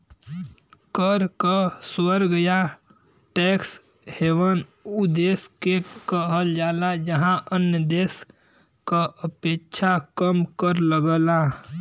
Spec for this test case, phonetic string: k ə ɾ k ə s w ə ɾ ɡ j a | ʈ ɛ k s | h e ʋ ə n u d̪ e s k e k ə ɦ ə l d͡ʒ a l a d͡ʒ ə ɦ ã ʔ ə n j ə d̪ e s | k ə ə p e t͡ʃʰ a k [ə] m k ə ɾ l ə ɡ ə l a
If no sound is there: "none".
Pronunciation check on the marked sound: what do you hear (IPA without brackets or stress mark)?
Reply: ə